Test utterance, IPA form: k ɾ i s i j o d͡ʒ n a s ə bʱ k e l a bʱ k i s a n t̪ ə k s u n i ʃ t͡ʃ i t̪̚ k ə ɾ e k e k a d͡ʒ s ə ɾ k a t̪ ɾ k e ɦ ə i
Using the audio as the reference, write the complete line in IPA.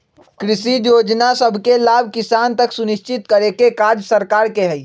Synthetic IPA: k ɾ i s i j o d͡ʒ n a s ə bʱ k e l a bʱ k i s a n t̪ ə k s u n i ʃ t͡ʃ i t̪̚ k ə ɾ e k e k a d͡ʒ s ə ɾ k a ɾ k e ɦ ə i